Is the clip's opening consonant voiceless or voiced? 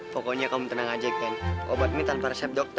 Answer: voiceless